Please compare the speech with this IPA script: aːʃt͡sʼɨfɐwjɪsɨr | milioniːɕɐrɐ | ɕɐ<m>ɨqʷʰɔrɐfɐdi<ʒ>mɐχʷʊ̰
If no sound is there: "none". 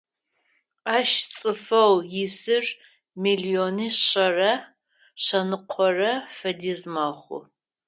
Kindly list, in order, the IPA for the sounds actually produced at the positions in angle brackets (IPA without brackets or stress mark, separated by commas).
n, z